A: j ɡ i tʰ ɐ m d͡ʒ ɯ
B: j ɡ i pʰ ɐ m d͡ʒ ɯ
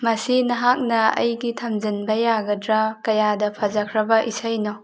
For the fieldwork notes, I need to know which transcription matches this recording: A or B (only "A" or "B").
A